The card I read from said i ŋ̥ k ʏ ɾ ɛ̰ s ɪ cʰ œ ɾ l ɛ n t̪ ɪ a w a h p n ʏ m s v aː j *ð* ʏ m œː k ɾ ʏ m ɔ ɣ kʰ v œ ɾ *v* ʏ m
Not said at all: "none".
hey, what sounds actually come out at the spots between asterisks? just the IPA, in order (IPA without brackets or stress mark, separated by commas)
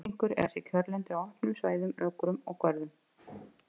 ð, ð